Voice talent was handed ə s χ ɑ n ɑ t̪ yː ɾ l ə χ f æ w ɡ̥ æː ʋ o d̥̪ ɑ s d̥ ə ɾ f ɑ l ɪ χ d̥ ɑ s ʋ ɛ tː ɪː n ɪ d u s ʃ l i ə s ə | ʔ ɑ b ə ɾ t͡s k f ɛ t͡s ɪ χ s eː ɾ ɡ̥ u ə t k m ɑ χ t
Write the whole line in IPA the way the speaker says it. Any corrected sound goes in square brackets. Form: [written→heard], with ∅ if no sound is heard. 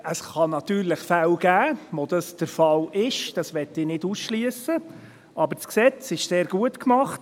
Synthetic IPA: ə s χ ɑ n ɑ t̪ yː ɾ l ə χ f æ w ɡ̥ æː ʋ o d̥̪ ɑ s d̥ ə ɾ f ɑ l ɪ [χ→ʃ] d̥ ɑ s ʋ ɛ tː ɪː n ɪ d u s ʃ l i ə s ə | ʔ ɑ b ə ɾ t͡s k [f→s] ɛ t͡s ɪ [χ→ʃ] s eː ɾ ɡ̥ u ə t k m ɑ χ t

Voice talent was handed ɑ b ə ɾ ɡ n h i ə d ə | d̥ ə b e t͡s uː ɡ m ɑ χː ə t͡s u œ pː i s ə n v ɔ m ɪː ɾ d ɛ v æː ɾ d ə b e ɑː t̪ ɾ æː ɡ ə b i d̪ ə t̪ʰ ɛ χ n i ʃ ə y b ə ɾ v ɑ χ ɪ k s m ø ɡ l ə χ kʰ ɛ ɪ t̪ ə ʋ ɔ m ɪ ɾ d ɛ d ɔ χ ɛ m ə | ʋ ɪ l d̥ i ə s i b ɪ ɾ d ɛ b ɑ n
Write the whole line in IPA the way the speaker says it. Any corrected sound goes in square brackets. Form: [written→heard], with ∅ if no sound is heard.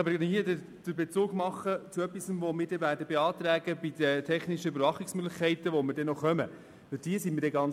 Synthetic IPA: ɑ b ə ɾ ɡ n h i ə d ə | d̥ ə b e t͡s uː ɡ m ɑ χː ə t͡s u œ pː i s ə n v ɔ m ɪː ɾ d ɛ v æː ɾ d ə b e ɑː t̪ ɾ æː ɡ ə b i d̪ ə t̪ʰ ɛ χ n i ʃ ə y b ə ɾ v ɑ χ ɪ k s m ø ɡ l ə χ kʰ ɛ ɪ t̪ ə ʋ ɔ m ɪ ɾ d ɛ [d→n] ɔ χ [ɛ→œ] m ə | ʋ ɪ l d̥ i ə s i [b→m] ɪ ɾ d ɛ [b→ɡ] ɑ n

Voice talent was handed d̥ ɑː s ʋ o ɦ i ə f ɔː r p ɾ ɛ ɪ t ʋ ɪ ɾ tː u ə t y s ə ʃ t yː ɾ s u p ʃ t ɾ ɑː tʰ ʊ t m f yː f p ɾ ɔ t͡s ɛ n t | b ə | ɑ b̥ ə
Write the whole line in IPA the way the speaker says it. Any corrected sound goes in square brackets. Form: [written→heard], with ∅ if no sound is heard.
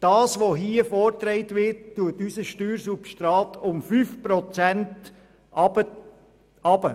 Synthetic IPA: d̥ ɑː s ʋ o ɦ i ə f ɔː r [p→t] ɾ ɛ ɪ t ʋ ɪ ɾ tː u ə t y s ə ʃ t yː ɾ s u p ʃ t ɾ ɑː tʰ ʊ [t→∅] m f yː f p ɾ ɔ t͡s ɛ n t | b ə | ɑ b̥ ə

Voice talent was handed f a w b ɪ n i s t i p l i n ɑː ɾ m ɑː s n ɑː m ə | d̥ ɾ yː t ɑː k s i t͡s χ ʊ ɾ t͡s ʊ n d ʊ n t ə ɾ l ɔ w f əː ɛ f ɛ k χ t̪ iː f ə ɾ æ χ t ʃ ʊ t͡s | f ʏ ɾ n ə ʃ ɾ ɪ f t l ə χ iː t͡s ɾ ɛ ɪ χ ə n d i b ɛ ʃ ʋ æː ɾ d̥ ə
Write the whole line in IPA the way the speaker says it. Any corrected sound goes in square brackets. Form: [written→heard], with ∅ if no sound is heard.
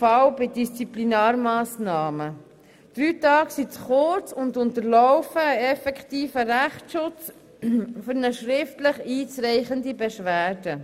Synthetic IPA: f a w b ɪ [n→d] i s [t→t͡s] i p l i n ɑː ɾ m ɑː s n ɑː m ə | d̥ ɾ yː t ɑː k s i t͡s χ ʊ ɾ t͡s ʊ n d ʊ n t ə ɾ l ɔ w f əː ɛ f ɛ k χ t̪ iː f ə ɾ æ χ t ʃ ʊ t͡s | f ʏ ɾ n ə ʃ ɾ ɪ f t l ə χ iː t͡s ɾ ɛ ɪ χ ə n d i b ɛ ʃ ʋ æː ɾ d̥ ə

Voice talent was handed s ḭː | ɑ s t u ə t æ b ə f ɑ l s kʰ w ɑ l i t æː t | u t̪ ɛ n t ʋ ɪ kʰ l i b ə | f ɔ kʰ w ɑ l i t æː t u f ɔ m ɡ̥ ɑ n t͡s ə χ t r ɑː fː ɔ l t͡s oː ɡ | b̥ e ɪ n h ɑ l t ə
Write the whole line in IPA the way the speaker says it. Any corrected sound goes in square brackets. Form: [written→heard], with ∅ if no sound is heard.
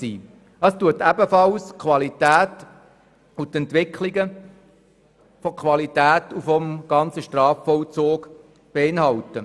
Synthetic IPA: s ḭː | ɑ s t u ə t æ b ə f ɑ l s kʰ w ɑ l i t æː t | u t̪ ɛ n t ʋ ɪ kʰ l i [b→ɡ] ə | f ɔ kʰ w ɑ l i t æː t u f ɔ m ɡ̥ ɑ n t͡s ə [χ→ʃ] t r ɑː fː ɔ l t͡s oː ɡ | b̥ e ɪ n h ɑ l t ə

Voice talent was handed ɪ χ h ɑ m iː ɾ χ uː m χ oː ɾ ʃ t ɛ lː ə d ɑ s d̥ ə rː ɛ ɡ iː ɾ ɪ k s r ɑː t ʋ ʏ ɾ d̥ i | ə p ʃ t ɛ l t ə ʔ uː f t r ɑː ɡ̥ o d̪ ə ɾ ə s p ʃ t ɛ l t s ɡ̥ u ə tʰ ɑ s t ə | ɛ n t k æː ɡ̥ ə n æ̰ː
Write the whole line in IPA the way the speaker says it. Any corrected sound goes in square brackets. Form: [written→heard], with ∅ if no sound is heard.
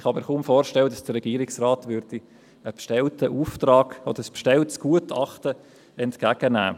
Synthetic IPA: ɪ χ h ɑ m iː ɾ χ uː m [χ→f] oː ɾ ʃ t ɛ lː ə d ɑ s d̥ ə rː ɛ ɡ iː ɾ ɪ k s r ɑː t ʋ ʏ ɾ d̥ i | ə p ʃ t ɛ l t ə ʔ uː f t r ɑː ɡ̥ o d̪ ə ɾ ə s p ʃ t ɛ l t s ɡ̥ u ə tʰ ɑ [s→χ] t ə | ɛ n t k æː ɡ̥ ə n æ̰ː

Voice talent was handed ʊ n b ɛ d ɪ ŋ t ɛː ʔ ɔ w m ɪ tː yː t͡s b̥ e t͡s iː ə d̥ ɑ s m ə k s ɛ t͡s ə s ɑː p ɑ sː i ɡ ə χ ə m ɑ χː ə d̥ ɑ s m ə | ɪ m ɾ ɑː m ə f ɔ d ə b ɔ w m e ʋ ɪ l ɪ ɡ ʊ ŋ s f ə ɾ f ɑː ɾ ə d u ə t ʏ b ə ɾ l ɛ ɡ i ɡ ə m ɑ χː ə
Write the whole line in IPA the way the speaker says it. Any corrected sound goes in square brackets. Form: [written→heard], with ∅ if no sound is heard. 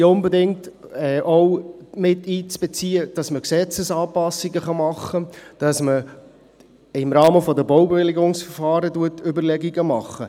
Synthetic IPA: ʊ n b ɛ d ɪ ŋ t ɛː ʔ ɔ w m ɪ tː [yː→iː] t͡s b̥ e t͡s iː ə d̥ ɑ s m ə k s ɛ t͡s ə s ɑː p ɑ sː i ɡ ə χ [ə→ɑ] m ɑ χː ə d̥ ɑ s m ə | ɪ m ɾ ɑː m ə f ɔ d ə b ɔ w [m→b] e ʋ ɪ l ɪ ɡ ʊ ŋ s f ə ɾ f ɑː ɾ ə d u ə t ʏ b ə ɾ l ɛ ɡ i ɡ ə m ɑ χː ə

